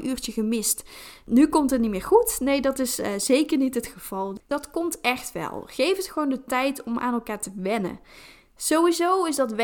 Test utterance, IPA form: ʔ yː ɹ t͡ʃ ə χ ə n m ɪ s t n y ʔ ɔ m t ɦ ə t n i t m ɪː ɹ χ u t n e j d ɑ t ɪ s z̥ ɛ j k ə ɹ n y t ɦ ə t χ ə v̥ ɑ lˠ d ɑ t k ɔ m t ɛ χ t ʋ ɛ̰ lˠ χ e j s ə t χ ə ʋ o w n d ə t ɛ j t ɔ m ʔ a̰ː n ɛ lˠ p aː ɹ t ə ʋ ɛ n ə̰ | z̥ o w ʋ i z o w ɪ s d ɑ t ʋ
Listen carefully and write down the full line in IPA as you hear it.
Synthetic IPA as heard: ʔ yː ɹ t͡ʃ ə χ ə m ɪ s t n y k ɔ m t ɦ ə t n i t m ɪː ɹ χ u t n e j d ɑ t ɪ s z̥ e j k ə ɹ n i t ɦ ə t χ ə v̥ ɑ lˠ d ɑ t k ɔ m t ɛ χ t ʋ ɛ̰ lˠ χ e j f ə t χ ə ʋ o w n d ə t ɛ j t ɔ m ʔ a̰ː n ɛ lˠ k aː ɹ t ə ʋ ɛ n ə̰ | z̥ o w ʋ i z o w ɪ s d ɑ t ʋ